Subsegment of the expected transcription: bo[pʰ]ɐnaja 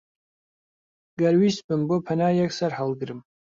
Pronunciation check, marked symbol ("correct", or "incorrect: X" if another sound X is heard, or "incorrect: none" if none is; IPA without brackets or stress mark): correct